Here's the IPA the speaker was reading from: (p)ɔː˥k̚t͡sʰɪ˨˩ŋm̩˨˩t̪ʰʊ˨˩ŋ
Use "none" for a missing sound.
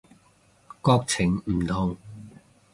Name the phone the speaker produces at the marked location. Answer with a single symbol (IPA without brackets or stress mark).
k